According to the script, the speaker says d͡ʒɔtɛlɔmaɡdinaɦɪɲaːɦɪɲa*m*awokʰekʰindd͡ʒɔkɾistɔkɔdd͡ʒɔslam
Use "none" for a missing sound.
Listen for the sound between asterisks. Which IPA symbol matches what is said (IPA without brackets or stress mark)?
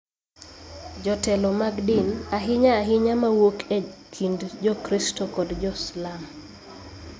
m